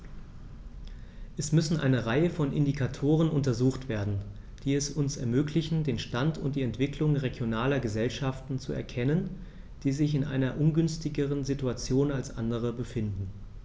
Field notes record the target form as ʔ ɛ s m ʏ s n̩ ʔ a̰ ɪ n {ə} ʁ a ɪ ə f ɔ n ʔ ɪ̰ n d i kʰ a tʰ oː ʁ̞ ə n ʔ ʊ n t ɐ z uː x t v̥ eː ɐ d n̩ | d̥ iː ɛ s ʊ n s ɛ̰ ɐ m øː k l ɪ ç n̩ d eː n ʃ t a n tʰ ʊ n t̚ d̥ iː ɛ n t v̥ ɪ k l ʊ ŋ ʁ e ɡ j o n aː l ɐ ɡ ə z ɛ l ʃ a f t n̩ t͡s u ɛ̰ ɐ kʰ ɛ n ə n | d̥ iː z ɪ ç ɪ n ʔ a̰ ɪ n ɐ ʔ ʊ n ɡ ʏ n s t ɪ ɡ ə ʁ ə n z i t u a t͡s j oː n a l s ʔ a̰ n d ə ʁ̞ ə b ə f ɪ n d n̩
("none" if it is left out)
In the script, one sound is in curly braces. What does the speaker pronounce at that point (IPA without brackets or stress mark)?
ə